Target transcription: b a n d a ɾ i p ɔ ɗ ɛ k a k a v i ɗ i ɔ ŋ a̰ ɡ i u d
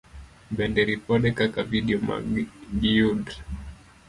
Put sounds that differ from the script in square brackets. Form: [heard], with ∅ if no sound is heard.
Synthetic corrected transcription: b [ɛ] n d [ɛ] ɾ i p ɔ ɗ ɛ k a k a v i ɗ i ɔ [m] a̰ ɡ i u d